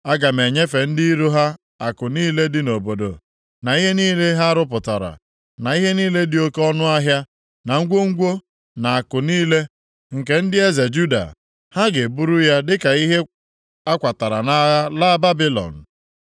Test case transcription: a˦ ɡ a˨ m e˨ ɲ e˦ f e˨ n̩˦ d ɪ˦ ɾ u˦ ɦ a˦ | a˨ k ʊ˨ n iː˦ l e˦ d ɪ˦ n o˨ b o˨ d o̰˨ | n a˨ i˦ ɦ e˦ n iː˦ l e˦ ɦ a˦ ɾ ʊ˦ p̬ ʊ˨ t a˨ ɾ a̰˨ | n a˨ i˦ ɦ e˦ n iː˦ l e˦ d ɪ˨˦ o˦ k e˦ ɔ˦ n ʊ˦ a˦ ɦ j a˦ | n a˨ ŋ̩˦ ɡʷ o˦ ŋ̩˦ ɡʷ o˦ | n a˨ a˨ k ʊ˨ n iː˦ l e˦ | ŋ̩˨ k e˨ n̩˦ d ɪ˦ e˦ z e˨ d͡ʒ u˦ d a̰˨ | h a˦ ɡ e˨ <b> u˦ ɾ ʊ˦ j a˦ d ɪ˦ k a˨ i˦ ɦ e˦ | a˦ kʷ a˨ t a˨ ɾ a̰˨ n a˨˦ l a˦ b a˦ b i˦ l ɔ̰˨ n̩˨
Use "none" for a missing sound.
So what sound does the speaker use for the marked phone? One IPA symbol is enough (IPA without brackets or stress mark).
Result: b